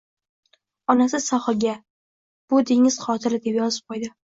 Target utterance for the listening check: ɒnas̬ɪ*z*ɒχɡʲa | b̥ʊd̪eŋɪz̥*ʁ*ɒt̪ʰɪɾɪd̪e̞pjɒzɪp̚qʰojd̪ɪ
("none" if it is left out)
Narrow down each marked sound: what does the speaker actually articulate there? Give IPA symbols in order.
s, χ

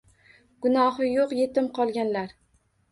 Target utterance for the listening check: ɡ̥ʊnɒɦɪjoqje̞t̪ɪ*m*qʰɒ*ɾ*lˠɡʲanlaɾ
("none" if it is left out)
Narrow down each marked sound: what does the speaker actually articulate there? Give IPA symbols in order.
m, none

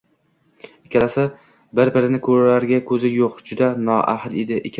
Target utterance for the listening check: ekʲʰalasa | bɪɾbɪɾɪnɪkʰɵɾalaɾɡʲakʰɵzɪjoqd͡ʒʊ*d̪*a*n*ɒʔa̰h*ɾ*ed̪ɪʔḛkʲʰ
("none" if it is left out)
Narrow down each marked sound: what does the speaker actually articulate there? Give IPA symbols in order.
d̪, n, l

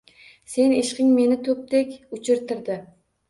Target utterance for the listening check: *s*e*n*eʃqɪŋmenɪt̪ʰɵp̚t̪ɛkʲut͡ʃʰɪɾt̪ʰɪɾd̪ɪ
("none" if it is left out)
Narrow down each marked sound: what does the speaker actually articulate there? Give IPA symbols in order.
s, n

